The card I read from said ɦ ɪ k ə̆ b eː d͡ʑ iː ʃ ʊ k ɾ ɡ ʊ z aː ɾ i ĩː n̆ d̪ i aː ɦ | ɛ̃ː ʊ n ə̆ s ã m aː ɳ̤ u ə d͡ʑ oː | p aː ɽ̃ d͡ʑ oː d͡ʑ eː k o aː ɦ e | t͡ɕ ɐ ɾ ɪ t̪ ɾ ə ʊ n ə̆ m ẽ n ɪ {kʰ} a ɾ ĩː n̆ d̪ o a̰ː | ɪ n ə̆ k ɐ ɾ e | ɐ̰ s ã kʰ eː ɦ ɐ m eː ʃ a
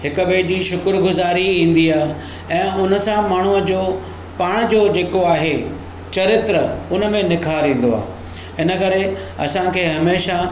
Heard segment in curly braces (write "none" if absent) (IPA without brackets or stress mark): kʰ